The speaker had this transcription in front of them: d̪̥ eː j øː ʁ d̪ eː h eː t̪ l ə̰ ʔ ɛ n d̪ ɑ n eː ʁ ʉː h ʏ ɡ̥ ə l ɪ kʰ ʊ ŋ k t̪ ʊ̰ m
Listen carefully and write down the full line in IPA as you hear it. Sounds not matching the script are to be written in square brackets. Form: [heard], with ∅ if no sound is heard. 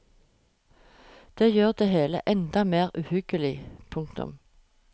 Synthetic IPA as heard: d̪̥ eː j øː ʁ d̪ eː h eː [∅] l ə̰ ʔ ɛ n d̪ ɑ [m] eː ʁ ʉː h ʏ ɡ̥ ə l ɪ [pʰ] ʊ ŋ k t̪ ʊ̰ m